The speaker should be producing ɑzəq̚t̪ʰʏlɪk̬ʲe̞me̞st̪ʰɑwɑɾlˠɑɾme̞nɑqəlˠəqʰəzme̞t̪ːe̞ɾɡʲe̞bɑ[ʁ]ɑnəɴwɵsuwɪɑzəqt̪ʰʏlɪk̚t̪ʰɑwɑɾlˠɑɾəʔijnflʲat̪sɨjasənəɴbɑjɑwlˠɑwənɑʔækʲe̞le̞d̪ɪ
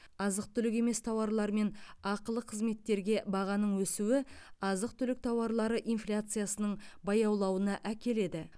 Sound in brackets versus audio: correct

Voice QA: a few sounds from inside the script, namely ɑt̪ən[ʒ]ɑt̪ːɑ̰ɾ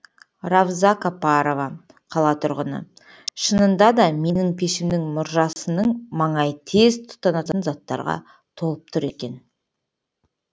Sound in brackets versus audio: incorrect: z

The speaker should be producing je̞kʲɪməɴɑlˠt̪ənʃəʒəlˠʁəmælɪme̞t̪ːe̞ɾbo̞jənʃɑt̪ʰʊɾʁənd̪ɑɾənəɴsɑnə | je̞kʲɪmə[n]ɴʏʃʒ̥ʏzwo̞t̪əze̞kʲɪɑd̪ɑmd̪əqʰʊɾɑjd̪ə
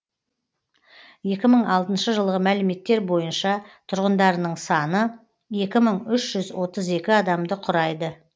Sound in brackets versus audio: incorrect: none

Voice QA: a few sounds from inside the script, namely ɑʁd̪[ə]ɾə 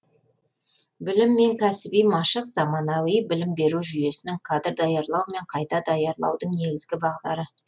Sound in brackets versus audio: incorrect: ɑ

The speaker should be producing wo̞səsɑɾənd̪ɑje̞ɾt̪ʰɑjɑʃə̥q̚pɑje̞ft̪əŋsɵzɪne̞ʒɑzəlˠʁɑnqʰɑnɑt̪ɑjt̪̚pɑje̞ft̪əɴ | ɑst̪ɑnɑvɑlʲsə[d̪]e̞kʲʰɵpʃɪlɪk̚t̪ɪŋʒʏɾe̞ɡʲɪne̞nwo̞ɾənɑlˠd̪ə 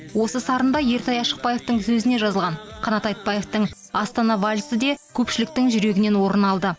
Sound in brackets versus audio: correct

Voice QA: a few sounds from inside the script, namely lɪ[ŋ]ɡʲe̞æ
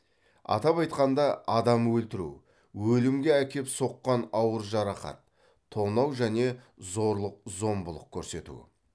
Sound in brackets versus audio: incorrect: m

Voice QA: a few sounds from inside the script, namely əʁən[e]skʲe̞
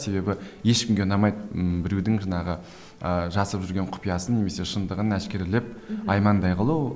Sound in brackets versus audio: incorrect: æ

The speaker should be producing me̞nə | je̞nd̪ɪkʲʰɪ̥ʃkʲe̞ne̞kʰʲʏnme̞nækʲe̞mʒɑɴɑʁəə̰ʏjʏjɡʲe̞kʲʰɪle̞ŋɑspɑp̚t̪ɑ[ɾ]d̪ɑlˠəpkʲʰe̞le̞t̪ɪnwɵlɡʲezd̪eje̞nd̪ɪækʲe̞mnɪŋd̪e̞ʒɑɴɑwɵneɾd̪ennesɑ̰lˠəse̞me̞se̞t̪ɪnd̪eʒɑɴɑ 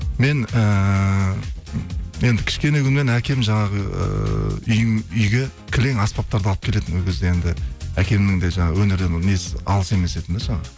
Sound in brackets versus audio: correct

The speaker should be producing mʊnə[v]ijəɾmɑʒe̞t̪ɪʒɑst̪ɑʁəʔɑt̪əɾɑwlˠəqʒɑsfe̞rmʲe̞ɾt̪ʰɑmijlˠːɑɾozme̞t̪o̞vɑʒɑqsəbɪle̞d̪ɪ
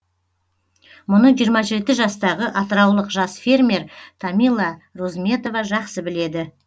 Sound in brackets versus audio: incorrect: ʒ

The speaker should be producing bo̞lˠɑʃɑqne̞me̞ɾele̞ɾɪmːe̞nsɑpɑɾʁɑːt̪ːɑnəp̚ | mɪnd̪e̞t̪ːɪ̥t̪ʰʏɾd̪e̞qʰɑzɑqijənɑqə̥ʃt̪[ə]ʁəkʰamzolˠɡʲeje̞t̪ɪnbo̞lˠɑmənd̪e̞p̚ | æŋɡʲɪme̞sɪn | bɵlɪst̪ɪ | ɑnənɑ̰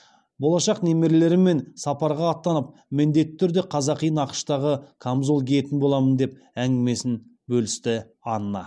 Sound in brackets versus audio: incorrect: ɑ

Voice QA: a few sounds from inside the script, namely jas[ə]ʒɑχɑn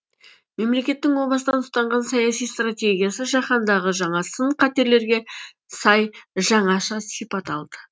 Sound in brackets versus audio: correct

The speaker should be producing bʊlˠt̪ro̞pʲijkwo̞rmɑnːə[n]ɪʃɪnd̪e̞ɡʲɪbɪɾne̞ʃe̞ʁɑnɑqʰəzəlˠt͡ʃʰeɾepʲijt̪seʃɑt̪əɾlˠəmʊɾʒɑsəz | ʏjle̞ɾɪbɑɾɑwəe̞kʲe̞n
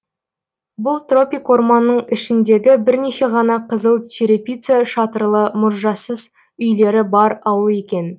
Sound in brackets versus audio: incorrect: ɴ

